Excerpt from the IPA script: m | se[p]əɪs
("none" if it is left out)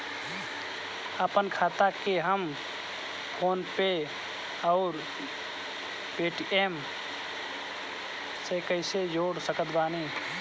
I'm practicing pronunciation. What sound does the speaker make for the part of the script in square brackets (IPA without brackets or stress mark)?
k